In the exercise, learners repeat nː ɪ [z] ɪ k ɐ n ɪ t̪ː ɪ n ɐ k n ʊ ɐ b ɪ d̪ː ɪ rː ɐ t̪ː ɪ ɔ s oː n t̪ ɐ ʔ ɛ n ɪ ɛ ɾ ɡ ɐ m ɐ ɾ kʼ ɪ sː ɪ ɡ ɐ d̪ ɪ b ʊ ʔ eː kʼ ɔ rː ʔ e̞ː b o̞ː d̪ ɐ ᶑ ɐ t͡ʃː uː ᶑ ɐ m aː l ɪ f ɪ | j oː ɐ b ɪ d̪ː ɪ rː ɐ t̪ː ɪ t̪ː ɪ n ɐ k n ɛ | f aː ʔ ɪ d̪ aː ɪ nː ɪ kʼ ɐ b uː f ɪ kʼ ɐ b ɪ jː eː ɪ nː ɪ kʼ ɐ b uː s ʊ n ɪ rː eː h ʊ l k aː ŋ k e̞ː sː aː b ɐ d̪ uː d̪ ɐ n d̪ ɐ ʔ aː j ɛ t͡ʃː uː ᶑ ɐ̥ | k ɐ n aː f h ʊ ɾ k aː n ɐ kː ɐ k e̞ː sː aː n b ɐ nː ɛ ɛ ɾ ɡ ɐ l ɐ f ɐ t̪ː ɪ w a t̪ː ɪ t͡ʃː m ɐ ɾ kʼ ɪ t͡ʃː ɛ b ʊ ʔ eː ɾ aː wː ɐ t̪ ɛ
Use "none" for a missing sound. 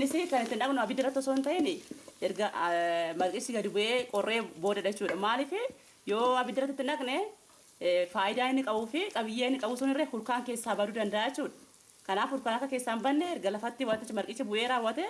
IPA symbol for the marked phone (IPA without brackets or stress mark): s